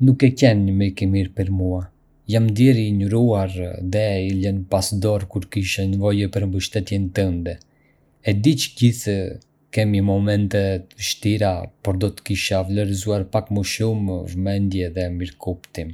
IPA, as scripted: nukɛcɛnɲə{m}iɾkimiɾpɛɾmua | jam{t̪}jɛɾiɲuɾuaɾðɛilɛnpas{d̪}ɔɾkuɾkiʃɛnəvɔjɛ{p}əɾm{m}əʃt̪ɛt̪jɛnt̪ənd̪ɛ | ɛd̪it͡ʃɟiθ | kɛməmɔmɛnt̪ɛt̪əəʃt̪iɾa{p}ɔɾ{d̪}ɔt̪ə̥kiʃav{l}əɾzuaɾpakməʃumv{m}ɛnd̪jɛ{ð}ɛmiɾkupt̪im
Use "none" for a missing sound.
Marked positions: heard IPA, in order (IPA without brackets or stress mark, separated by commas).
m, d̪, d̪, p, b, p, d̪, l, m, ð